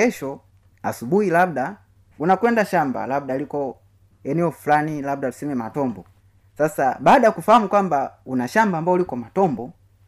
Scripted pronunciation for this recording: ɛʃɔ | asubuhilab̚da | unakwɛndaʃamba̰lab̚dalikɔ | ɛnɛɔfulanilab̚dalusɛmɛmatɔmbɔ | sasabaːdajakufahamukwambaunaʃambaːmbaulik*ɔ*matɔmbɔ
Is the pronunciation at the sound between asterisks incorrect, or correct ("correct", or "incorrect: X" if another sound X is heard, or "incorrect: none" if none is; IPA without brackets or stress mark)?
correct